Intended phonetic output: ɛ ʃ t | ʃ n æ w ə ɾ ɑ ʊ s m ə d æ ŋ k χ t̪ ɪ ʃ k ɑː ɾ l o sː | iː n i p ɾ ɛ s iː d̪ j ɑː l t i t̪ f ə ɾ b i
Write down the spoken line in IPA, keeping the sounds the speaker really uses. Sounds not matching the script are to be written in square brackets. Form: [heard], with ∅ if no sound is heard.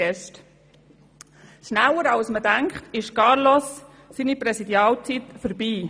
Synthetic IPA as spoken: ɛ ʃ t | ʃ n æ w ə ɾ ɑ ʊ s m ə d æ ŋ k χ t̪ ɪ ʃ k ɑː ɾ l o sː | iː n i p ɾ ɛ s [i] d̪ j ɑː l [t͡s] i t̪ f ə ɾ b [iː]